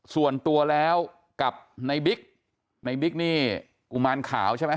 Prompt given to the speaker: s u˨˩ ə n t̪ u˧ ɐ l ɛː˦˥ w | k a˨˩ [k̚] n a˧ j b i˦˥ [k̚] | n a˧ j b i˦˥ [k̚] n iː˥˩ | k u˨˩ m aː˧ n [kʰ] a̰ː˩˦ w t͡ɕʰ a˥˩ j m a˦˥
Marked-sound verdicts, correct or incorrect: incorrect: p̚, correct, correct, correct

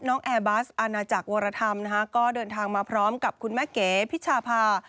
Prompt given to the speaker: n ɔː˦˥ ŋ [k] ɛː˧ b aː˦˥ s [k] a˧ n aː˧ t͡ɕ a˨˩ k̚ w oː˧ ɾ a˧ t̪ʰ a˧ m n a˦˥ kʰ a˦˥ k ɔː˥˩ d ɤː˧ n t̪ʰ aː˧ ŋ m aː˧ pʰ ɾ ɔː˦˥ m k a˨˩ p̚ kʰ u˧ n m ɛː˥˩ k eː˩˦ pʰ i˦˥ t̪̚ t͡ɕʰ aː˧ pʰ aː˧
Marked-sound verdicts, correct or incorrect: incorrect: ʔ, incorrect: ʔ

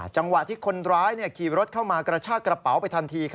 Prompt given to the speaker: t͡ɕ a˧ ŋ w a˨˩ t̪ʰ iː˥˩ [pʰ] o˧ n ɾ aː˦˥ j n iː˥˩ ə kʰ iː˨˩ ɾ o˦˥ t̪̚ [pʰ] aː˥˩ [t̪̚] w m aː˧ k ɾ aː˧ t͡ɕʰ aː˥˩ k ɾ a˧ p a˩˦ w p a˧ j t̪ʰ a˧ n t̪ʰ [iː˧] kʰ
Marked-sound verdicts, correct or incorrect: incorrect: kʰ, incorrect: kʰ, incorrect: none, correct

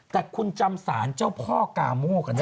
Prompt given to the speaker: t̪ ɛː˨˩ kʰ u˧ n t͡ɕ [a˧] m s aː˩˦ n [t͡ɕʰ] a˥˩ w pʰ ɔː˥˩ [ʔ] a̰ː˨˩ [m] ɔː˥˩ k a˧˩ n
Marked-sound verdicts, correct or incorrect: correct, incorrect: t͡ɕ, incorrect: k, correct

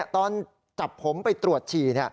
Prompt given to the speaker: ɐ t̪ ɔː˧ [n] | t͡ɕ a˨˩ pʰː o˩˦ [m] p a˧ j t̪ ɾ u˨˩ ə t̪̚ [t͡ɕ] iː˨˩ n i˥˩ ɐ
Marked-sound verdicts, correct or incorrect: correct, correct, incorrect: t͡ɕʰ

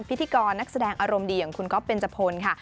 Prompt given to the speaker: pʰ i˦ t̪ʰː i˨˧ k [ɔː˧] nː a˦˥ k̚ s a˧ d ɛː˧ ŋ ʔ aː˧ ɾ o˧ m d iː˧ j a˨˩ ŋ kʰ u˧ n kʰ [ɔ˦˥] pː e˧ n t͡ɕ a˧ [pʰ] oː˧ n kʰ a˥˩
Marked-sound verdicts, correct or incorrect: correct, correct, correct

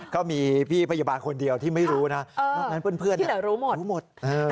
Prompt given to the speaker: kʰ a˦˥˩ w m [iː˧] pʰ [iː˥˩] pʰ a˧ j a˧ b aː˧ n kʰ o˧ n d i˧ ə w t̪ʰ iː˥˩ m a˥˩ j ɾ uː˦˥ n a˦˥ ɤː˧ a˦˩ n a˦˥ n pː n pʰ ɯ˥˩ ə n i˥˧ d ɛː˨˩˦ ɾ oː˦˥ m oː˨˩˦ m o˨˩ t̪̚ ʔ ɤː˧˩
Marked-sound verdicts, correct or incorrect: correct, correct

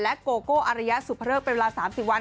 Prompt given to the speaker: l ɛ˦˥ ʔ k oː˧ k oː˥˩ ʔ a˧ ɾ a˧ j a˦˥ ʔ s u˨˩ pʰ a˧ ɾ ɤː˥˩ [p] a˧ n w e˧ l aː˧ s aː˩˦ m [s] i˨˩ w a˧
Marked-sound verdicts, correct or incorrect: correct, correct

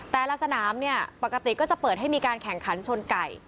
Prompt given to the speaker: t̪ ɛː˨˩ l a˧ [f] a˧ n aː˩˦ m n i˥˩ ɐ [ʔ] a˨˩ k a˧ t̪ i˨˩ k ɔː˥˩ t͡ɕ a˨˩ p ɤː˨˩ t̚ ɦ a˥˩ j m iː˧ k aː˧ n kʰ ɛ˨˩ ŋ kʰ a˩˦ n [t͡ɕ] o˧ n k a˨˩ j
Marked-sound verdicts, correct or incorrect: incorrect: s, incorrect: p, incorrect: t͡ɕʰ

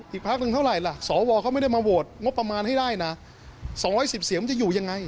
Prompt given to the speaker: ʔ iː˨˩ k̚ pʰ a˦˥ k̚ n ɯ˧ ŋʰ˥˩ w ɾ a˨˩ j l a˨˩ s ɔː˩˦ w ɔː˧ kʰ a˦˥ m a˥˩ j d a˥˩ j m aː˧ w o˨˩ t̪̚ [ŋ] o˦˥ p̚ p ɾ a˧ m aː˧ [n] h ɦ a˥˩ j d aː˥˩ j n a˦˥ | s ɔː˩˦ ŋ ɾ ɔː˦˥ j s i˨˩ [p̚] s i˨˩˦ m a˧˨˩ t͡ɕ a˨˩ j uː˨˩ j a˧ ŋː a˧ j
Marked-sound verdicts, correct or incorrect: correct, correct, correct

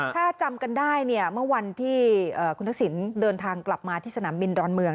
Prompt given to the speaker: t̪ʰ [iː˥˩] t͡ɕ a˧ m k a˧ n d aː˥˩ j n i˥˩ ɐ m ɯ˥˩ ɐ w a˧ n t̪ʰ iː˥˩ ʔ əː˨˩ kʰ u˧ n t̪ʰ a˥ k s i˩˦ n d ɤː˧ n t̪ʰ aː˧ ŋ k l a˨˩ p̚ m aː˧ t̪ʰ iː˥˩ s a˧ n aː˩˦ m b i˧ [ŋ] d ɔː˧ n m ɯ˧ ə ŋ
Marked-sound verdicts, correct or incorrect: incorrect: aː˥˩, incorrect: n

